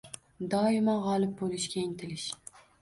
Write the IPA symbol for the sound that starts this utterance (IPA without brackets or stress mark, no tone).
d̪